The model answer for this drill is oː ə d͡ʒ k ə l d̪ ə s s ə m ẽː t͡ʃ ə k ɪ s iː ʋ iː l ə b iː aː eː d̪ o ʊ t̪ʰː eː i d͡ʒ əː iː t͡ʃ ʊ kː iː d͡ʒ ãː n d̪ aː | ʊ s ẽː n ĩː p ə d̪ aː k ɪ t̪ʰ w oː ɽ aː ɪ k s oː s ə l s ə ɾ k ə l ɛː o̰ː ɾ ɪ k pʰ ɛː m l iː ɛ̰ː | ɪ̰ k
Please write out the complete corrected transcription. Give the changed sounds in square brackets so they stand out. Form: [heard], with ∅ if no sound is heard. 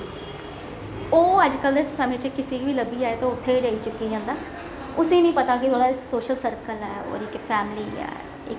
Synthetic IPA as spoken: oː ə d͡ʒ k ə l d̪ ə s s ə m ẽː t͡ʃ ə k ɪ s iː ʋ iː l ə b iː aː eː [t̪] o ʊ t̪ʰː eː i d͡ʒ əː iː t͡ʃ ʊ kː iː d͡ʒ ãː n d̪ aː | ʊ s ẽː n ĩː p ə [t̪] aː k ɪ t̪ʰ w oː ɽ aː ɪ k s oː [ʃ] ə l s ə ɾ k ə l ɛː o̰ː ɾ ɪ k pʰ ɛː m l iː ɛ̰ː | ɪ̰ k